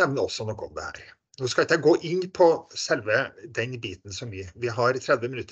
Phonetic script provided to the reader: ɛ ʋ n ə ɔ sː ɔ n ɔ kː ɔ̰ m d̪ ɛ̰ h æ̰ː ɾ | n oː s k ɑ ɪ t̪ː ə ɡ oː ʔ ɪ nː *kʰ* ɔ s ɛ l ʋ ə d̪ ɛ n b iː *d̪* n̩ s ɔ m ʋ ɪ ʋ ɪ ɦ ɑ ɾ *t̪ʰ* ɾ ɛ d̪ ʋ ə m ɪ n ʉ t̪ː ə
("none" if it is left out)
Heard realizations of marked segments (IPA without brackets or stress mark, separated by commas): pʰ, t̪, t̪ʰ